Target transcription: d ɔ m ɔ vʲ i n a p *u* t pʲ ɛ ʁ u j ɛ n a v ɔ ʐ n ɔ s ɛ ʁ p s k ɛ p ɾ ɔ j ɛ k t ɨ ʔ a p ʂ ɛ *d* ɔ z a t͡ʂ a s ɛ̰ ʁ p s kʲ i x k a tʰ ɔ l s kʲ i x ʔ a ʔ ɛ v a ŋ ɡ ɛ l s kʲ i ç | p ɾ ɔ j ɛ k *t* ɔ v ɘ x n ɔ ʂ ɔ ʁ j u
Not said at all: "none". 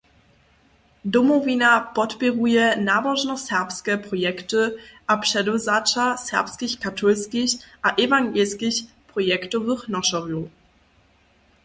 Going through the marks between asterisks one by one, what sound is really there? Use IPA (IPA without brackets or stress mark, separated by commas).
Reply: ɔ, d, t